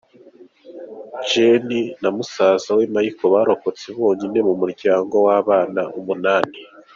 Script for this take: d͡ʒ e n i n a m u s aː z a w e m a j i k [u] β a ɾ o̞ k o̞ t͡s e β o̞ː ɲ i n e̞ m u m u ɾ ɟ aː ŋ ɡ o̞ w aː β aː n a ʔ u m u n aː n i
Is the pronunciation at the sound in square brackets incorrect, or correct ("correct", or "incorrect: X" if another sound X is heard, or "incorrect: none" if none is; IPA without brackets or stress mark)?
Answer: incorrect: o